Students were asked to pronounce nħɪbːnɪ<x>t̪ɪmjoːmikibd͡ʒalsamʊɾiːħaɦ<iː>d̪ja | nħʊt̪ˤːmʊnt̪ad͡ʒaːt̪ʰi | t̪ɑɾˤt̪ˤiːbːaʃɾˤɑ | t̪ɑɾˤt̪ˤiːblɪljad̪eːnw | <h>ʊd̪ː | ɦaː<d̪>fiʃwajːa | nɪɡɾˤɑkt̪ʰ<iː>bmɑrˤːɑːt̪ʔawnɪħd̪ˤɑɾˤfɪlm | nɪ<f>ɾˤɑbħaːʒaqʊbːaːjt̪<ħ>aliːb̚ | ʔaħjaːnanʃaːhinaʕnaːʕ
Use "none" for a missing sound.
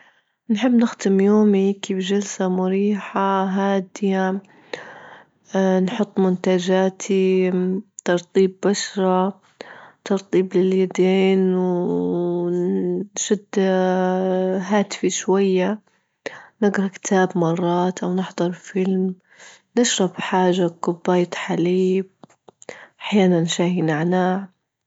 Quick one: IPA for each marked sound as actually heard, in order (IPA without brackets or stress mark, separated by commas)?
x, aː, ʃ, t̪, aː, ʃ, ħ